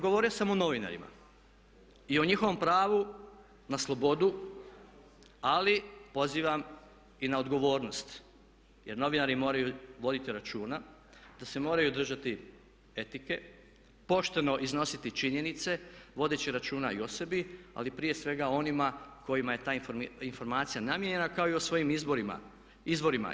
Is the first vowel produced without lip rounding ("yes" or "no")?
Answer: no